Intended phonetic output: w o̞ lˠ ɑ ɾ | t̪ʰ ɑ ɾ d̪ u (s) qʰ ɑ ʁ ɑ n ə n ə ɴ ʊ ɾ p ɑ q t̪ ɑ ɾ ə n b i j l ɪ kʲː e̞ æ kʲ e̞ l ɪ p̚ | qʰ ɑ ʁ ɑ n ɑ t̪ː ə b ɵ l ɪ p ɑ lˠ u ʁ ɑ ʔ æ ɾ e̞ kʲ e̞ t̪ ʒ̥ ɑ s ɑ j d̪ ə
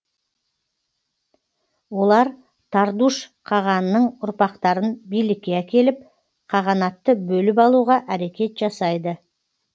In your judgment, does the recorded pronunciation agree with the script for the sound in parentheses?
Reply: no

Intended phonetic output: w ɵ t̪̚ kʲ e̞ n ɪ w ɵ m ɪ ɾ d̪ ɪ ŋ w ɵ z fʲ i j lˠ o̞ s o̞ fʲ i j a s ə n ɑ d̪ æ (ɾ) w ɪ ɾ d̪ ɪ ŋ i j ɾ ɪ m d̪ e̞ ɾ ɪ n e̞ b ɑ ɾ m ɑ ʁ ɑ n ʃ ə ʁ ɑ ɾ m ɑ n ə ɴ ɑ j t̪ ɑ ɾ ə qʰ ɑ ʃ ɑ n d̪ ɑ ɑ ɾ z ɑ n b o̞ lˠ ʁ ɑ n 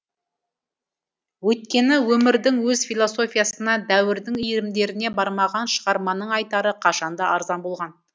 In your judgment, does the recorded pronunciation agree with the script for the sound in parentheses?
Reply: no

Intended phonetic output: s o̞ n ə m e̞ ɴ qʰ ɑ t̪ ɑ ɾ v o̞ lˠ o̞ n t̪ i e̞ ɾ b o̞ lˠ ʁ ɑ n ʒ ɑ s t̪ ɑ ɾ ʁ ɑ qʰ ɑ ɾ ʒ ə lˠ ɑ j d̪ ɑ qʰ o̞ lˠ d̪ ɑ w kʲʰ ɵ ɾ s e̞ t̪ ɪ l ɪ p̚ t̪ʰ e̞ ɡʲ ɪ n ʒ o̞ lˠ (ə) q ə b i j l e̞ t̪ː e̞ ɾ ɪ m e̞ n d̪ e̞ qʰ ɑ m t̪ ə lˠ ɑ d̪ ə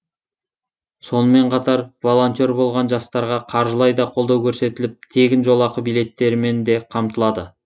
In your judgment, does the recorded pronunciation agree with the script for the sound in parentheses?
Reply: no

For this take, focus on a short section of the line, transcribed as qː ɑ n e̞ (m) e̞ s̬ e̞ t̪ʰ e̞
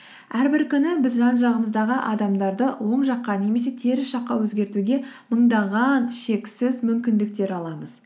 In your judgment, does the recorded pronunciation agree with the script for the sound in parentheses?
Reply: yes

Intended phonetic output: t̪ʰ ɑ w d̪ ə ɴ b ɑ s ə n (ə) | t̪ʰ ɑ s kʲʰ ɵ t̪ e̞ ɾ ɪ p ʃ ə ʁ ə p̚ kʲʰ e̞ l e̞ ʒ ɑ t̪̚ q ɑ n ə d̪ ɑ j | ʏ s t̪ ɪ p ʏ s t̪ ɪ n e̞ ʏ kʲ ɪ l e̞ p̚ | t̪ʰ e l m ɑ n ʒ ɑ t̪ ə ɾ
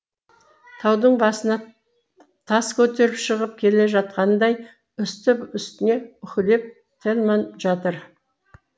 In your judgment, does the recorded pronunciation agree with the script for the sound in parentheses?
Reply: no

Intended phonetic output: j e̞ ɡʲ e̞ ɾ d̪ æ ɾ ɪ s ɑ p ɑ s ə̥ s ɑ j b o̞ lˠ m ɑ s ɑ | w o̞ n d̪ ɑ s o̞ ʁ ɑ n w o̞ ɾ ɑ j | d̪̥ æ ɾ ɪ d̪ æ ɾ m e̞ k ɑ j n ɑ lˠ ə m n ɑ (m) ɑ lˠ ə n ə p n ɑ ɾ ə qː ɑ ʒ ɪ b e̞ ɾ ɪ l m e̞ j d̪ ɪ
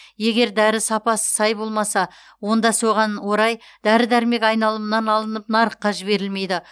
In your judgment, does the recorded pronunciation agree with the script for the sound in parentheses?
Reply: no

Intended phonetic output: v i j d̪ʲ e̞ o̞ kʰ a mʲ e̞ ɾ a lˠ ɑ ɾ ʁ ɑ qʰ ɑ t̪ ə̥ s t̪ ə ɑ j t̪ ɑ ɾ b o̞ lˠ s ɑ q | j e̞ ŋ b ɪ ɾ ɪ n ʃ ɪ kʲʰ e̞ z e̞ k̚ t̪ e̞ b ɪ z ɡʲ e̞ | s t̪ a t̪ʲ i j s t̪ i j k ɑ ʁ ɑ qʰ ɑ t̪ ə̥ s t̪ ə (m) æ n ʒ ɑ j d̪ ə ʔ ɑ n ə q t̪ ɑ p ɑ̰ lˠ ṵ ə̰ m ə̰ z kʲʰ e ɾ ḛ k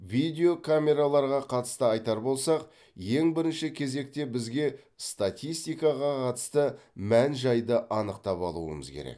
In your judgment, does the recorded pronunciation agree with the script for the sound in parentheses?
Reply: yes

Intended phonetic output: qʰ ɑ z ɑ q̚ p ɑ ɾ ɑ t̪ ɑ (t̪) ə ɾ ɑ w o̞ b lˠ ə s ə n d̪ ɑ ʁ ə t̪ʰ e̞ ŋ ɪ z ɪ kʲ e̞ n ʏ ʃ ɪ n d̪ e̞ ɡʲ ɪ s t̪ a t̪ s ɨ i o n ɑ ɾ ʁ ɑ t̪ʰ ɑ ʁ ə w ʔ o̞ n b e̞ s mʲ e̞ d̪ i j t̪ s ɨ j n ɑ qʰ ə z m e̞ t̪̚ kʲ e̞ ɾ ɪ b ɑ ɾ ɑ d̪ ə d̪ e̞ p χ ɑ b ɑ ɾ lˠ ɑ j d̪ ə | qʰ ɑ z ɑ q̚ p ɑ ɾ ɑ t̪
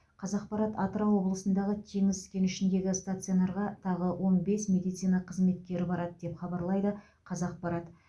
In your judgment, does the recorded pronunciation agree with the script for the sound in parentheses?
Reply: yes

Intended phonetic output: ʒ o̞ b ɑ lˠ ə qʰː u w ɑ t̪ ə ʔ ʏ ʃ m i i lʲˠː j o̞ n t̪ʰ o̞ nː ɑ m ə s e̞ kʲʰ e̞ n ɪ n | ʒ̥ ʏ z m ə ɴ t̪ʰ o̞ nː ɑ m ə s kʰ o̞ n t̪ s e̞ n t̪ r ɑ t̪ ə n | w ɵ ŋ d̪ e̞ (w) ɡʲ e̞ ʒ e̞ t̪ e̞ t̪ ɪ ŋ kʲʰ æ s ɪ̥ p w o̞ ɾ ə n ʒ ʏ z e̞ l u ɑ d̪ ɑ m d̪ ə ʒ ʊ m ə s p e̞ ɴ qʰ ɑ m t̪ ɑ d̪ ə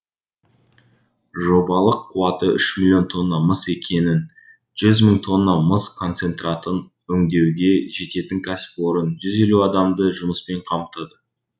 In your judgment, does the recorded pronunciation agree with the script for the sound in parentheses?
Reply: yes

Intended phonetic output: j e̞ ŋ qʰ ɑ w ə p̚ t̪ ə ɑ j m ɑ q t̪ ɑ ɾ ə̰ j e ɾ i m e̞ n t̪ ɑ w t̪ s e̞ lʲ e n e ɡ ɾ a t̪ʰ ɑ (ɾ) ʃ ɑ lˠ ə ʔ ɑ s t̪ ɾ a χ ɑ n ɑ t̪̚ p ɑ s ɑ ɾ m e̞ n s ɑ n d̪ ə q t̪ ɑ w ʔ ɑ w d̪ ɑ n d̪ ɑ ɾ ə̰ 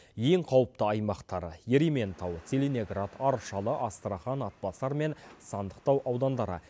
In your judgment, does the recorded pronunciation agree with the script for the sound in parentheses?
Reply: yes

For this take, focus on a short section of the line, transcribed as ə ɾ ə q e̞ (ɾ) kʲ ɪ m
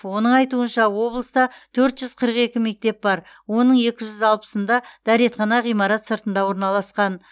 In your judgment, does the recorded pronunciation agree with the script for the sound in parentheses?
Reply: no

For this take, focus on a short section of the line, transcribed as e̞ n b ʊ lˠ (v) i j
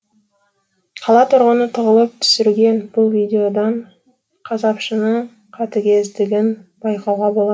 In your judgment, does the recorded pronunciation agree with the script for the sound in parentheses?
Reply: yes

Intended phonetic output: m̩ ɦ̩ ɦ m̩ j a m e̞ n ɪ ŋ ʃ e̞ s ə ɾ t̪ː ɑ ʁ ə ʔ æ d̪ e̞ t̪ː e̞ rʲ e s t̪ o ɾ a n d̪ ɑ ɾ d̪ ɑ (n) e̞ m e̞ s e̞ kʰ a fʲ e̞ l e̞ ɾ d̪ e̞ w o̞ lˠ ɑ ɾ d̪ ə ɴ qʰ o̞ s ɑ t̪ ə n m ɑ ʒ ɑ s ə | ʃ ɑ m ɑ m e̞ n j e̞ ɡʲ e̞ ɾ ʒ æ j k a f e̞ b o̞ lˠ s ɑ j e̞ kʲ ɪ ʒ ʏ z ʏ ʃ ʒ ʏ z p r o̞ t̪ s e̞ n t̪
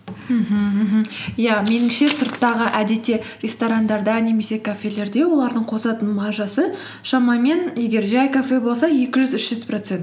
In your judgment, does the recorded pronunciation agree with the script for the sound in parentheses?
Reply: yes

